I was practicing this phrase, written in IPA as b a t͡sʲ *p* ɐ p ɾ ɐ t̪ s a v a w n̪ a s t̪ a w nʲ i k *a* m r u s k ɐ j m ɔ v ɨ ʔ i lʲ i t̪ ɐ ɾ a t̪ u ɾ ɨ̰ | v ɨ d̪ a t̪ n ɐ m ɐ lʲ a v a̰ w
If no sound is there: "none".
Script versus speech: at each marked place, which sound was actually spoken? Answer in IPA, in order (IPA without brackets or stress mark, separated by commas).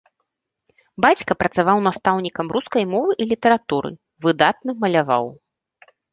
k, ɐ